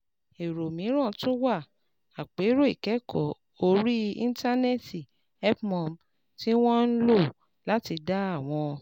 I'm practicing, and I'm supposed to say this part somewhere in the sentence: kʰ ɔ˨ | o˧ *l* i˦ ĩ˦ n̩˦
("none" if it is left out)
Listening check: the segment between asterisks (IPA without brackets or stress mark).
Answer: ɾ